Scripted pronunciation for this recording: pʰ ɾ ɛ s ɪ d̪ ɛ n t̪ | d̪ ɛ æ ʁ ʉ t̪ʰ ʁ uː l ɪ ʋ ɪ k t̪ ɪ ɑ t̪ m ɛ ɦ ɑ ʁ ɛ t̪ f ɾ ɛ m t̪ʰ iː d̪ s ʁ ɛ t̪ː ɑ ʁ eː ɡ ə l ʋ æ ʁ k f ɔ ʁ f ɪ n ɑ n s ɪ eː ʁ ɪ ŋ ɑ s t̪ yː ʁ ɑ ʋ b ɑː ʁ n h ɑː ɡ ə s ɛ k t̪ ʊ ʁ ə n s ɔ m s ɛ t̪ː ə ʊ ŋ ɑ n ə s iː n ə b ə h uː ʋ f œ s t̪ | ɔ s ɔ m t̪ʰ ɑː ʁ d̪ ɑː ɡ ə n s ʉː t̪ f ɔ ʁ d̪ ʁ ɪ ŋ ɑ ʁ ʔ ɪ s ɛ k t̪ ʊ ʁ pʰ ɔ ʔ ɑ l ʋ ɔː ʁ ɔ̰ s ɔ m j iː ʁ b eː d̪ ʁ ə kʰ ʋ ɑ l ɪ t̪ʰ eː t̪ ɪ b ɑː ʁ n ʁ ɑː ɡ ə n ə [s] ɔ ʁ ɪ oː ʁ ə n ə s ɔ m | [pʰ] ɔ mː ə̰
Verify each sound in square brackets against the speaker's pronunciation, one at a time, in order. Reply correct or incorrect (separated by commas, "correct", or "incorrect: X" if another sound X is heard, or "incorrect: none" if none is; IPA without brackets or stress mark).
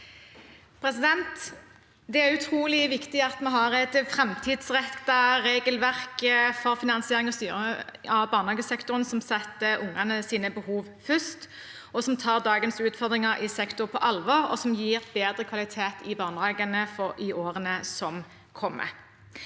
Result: incorrect: f, incorrect: kʰ